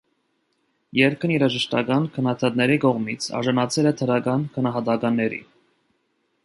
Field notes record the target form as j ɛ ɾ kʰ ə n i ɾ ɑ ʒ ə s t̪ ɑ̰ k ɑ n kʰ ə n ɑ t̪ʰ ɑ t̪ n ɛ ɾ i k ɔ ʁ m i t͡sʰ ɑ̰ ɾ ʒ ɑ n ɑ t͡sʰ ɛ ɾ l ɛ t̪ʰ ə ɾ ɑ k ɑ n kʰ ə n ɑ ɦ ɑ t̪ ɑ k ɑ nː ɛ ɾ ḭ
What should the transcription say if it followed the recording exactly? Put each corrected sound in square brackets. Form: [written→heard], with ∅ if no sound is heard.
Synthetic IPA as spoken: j ɛ ɾ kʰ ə n i ɾ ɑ ʒ ə [s→ʃ] t̪ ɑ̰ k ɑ n kʰ ə n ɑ t̪ʰ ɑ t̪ n ɛ ɾ i k ɔ ʁ m i t͡sʰ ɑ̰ ɾ ʒ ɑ n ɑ t͡sʰ ɛ [ɾ→∅] l ɛ t̪ʰ ə ɾ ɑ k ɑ n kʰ ə n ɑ ɦ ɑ t̪ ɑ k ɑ nː ɛ ɾ ḭ